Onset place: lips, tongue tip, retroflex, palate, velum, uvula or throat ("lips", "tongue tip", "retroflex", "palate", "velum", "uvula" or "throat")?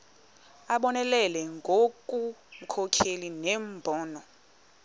lips